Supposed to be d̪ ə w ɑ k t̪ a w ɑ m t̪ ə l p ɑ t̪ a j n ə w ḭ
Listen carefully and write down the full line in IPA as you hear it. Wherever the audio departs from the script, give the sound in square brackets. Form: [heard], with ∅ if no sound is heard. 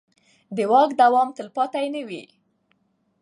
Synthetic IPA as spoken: d̪ ə w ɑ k [d̪] a w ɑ m t̪ ə l p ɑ t̪ a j n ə w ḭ